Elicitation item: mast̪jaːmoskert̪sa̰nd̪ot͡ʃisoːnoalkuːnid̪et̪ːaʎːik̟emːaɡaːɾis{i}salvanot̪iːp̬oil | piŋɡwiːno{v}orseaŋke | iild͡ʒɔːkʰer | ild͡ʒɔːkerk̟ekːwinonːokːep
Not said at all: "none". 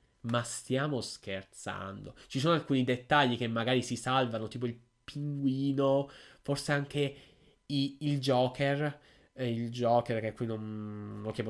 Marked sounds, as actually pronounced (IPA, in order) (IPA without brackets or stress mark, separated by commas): i, f